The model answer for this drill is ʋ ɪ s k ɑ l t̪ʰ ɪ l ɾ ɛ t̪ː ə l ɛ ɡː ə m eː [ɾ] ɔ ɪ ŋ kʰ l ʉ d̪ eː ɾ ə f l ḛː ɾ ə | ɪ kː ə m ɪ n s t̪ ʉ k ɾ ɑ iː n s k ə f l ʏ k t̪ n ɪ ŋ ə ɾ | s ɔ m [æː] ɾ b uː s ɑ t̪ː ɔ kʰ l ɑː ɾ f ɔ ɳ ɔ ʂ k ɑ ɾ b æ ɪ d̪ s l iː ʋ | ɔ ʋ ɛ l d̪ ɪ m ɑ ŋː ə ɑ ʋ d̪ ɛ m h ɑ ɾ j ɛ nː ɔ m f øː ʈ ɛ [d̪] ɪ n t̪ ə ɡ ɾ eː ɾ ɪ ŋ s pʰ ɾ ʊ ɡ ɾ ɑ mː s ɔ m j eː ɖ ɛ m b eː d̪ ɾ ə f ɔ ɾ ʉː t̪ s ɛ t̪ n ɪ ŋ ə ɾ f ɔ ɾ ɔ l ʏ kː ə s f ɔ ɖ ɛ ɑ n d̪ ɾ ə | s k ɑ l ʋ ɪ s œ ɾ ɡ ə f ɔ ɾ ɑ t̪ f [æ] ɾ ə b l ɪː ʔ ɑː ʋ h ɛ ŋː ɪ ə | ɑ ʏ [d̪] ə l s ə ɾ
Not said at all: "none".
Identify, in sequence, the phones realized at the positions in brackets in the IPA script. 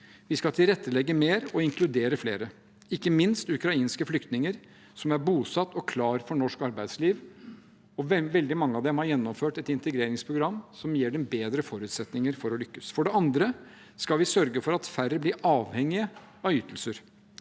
ɾ, æ, t̪, æ, t̪

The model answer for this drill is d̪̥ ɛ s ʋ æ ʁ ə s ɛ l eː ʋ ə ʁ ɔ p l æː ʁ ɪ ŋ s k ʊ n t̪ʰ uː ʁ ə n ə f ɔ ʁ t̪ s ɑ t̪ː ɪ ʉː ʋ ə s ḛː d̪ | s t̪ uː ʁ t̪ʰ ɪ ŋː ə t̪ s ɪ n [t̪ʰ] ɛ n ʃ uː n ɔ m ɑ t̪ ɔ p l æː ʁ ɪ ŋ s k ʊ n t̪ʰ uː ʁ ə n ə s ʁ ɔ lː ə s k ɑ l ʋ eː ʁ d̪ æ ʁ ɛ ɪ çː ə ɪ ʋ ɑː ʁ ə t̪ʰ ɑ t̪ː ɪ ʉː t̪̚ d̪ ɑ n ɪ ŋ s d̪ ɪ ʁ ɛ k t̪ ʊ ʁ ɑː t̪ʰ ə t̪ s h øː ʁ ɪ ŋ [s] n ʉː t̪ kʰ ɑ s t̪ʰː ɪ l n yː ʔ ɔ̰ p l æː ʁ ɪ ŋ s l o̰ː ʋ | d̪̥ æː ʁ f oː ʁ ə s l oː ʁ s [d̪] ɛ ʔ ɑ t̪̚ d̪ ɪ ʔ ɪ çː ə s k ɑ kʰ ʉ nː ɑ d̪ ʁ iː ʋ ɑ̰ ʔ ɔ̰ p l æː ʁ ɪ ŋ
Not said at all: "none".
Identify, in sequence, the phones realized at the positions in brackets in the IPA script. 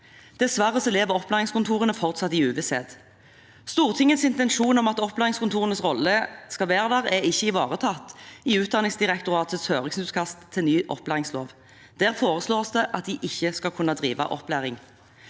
t̪, s, d̪

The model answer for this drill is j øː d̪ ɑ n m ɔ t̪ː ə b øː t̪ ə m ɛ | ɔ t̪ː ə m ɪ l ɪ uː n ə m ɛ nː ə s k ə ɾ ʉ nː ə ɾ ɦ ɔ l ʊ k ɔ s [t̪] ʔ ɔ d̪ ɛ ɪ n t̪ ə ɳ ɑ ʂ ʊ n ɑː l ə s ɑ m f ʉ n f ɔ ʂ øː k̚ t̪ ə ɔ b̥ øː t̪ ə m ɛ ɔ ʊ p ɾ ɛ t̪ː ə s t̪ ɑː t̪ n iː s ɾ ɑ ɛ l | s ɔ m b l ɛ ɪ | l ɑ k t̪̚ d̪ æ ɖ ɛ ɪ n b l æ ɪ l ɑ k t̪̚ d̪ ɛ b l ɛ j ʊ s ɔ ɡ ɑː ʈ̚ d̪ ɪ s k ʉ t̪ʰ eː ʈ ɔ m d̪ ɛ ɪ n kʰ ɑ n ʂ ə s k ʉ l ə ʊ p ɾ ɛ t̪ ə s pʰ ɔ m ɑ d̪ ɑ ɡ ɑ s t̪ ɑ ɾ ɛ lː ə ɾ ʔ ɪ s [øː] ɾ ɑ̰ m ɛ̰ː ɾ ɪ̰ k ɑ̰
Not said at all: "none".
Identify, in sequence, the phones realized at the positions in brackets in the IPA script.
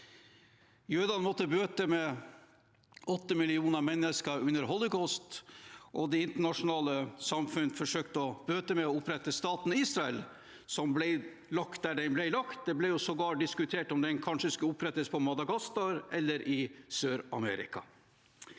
t̪, øː

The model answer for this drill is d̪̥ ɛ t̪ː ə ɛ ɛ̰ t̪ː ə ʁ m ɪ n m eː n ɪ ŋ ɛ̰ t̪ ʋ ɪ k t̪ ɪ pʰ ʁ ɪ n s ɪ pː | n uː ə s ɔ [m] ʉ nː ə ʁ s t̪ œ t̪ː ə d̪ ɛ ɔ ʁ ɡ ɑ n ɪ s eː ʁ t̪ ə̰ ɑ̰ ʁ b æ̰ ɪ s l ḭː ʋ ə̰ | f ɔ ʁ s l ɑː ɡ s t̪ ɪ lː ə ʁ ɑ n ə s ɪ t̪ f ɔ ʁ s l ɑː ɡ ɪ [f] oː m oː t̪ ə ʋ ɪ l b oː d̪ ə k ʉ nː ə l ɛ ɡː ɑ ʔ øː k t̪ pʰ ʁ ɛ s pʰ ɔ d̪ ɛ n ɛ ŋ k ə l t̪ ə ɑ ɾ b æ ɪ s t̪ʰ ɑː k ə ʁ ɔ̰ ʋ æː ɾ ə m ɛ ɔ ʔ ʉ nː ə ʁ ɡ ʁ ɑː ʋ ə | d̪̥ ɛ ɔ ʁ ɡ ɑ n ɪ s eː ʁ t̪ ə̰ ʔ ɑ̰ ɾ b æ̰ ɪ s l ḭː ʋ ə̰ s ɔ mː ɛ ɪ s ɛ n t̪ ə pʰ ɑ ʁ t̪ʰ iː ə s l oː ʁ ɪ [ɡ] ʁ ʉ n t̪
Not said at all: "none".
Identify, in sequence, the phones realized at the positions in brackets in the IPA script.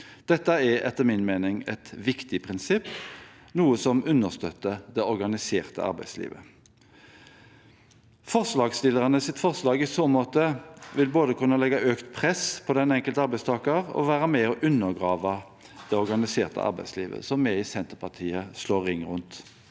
m, s, ŋ

